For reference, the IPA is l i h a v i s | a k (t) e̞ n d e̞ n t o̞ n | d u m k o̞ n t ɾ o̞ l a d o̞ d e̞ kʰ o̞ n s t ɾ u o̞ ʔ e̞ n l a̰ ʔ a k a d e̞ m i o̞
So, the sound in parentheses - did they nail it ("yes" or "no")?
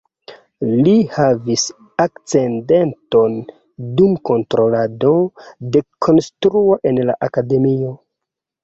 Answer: no